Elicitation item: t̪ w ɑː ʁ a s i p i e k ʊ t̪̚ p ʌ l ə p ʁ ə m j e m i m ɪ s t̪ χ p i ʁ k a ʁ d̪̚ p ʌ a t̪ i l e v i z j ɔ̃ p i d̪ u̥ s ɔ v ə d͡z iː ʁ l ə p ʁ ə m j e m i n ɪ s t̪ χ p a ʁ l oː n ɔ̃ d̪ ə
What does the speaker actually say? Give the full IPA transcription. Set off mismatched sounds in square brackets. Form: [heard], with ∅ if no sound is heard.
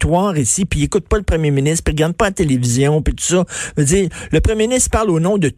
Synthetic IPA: t̪ w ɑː ʁ [i] s i p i e k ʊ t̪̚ p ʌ l ə p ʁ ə m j e m i [n] ɪ s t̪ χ p i ʁ [ɡ] a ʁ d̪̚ p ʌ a t̪ [e] l e v i z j ɔ̃ p i [t̪] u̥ s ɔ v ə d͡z iː ʁ l ə p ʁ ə m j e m i n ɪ s t̪ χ p a ʁ l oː n ɔ̃ d̪ ə